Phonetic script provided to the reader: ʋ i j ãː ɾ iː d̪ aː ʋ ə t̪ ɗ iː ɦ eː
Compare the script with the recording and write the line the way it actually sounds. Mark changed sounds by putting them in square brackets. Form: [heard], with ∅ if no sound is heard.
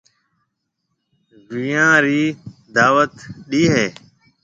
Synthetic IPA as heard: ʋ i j ãː ɾ iː d̪ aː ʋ ə t̪ ɗ iː ɦ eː